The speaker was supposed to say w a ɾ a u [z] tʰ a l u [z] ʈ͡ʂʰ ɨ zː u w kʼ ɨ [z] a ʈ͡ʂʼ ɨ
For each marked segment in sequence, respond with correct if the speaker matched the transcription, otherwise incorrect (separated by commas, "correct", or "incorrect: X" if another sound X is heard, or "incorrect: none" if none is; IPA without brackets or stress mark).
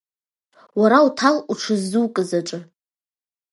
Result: incorrect: none, incorrect: none, correct